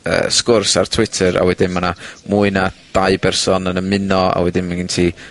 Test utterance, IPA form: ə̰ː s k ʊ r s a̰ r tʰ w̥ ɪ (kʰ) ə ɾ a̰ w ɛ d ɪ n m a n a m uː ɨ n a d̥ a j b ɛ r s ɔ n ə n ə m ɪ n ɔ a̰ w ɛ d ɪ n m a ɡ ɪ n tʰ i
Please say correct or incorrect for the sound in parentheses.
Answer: incorrect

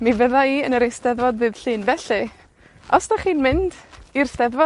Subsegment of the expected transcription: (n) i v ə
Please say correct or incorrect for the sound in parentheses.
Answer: incorrect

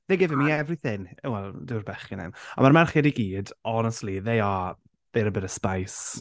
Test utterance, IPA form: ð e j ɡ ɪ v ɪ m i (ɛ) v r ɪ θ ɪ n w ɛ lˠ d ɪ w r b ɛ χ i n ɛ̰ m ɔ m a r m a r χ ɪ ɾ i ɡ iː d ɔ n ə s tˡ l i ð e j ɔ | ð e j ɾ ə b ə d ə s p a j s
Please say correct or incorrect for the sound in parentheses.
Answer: correct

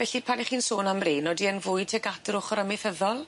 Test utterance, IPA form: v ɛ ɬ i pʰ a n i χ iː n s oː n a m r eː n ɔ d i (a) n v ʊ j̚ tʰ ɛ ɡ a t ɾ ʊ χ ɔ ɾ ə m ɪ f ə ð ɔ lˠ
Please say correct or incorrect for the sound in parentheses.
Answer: incorrect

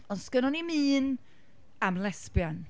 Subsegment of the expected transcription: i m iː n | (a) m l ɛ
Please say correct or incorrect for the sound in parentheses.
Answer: correct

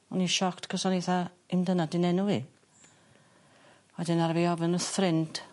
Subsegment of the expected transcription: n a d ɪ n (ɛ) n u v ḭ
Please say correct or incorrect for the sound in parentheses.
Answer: correct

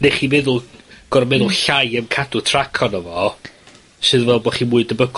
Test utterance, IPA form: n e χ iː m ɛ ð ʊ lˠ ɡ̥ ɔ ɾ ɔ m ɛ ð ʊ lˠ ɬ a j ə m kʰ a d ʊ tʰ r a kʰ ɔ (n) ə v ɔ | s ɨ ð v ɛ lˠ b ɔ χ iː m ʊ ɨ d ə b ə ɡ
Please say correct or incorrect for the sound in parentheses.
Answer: correct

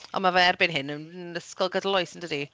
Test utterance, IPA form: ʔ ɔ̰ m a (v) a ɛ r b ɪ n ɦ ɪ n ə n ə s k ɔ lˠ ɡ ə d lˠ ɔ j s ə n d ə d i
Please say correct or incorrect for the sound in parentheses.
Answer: correct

